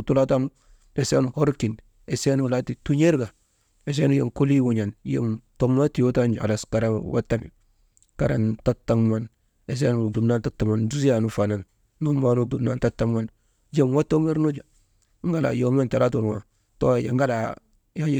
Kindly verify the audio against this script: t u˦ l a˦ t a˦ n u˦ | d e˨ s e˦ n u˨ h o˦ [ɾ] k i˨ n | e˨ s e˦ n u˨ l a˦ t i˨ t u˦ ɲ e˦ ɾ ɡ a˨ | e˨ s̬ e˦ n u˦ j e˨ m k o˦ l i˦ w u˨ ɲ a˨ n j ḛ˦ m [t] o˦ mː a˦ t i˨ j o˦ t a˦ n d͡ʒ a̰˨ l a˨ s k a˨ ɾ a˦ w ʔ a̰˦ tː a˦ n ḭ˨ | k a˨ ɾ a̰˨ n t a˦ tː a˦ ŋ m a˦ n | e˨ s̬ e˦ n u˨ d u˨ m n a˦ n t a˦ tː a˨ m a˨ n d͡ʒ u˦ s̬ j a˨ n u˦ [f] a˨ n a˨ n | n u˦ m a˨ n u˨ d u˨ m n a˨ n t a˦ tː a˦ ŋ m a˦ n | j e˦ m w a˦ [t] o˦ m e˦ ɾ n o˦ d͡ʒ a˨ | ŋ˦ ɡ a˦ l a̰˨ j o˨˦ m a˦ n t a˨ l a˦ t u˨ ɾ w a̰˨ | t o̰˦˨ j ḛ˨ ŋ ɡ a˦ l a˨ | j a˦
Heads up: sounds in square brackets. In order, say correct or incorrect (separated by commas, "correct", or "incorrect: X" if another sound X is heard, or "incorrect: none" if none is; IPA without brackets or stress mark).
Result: correct, correct, correct, correct